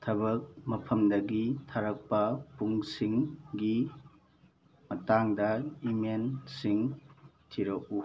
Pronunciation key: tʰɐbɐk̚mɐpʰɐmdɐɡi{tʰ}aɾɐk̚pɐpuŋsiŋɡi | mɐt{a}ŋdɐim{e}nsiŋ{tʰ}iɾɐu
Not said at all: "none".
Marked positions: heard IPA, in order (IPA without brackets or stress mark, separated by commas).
tʰ, a, e, tʰ